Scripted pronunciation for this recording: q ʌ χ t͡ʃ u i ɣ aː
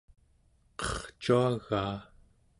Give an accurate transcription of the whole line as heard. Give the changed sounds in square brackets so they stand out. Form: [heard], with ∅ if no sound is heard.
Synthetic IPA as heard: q ʌ χ t͡ʃ u [a] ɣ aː